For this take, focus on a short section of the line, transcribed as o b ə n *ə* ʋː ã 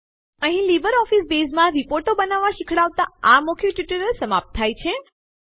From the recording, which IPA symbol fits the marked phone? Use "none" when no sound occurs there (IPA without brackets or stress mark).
a